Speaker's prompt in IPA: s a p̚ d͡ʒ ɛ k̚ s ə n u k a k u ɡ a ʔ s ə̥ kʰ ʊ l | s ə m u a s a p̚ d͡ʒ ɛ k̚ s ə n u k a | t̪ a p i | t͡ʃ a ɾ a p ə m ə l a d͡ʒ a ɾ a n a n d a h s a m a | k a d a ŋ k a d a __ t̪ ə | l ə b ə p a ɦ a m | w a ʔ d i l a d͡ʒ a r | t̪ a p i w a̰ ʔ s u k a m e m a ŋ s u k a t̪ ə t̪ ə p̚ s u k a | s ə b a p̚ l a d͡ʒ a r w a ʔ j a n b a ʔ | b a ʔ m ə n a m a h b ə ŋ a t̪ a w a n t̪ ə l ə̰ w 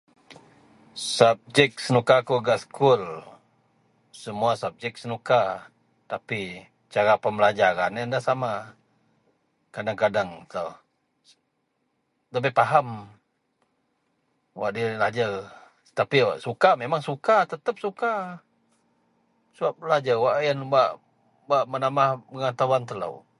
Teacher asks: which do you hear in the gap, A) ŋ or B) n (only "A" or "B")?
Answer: A